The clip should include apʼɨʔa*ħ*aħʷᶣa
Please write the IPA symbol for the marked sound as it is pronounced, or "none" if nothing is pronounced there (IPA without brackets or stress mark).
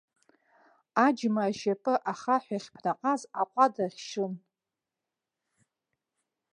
χ